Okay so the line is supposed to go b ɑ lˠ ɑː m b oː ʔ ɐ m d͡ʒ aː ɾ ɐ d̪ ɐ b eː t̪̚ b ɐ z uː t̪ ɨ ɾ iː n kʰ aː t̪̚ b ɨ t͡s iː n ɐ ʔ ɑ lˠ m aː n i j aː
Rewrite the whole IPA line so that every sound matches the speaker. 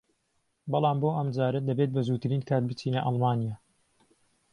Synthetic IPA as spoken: b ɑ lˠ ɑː m b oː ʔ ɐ m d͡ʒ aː ɾ ɐ d̪ ɐ b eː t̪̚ b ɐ z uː t̪ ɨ ɾ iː n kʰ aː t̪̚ b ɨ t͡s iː n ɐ ʔ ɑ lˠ m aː n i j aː